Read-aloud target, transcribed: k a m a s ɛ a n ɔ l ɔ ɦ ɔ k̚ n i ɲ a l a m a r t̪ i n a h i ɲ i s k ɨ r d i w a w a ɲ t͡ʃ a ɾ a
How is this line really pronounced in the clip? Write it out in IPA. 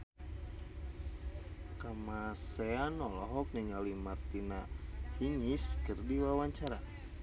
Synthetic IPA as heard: k a m a s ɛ a n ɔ l ɔ ɦ ɔ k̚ n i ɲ a l i m a r t̪ i n a h i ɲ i s k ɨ r d i w a w a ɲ t͡ʃ a ɾ a